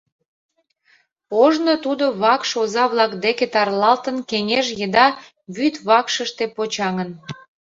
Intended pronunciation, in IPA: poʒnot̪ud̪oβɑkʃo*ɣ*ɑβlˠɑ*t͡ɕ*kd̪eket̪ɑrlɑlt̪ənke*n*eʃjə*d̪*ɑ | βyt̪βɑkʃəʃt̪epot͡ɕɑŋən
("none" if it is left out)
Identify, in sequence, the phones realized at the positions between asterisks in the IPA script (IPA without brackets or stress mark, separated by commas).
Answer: z, none, ŋ, d̪